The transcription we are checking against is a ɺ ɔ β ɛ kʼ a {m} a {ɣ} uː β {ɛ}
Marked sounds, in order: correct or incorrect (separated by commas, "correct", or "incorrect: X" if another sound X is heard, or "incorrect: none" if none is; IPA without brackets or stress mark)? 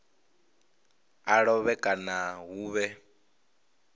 incorrect: n, correct, correct